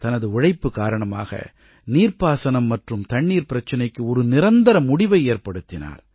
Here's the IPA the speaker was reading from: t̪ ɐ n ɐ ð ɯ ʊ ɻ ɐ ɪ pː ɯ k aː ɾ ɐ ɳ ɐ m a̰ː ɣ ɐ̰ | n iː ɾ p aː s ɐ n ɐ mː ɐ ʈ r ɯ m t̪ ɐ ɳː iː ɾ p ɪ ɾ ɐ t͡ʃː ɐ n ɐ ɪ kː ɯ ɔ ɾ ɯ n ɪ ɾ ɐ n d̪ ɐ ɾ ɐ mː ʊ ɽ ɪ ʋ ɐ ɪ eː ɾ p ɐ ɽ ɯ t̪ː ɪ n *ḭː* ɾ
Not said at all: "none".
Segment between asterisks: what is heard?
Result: a̰ː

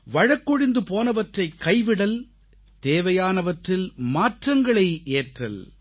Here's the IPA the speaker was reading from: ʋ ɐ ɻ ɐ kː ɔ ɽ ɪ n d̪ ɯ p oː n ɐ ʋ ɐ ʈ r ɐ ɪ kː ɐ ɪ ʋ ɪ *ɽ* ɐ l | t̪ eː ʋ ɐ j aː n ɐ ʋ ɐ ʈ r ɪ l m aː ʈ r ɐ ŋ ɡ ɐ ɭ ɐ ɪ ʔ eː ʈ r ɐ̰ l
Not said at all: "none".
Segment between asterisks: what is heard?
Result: ɽ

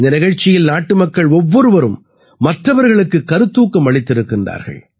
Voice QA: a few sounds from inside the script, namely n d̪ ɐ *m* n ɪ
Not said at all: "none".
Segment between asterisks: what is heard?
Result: none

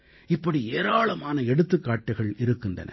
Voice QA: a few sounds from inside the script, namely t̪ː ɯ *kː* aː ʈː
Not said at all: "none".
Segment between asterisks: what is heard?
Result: kː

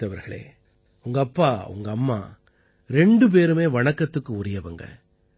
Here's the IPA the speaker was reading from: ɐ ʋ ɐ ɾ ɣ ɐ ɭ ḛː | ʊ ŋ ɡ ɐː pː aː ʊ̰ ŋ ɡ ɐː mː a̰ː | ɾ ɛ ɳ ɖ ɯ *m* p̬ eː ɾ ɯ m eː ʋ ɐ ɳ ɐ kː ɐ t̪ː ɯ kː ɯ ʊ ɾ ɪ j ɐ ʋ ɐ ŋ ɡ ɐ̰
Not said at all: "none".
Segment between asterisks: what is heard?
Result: none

